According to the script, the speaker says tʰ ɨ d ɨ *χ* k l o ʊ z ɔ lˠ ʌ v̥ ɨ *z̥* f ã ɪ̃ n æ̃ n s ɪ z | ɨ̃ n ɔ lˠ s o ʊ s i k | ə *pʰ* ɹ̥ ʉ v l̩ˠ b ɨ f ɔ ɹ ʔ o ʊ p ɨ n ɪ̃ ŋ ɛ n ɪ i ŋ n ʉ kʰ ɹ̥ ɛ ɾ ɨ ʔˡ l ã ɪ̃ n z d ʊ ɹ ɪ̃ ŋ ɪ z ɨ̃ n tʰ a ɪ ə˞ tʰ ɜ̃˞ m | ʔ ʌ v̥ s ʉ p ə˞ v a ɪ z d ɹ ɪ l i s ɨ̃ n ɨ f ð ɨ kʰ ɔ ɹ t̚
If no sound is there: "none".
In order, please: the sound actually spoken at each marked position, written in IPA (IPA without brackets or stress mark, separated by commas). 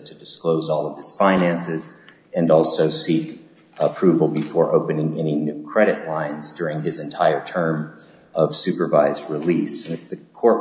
s, z̥, pʰ